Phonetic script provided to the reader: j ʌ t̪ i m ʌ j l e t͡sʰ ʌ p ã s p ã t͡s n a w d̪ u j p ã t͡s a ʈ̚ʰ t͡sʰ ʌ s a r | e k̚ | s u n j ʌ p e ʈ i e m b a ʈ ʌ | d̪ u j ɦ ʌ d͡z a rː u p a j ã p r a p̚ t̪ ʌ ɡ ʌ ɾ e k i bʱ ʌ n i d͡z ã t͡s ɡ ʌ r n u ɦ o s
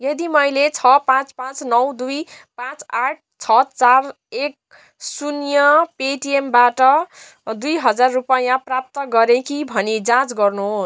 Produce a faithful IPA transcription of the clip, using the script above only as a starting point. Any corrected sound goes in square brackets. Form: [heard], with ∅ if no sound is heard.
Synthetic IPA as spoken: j ʌ [d̪] i m ʌ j l e t͡sʰ ʌ p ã [t͡s] p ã t͡s n [ʌ] w d̪ u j p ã t͡s a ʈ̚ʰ t͡sʰ ʌ [t͡s] a r | e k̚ | s u n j ʌ p e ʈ i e m b a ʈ ʌ | d̪ u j ɦ ʌ d͡z a rː u p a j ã p r a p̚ t̪ ʌ ɡ ʌ ɾ e k i bʱ ʌ n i d͡z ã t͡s ɡ ʌ r n u ɦ o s